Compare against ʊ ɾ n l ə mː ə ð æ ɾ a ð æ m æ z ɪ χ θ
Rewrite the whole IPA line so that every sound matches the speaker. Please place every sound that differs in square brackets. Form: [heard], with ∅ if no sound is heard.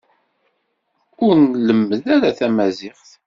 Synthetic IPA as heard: ʊ ɾ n l ə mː ə ð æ ɾ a [θ] æ m æ z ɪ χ θ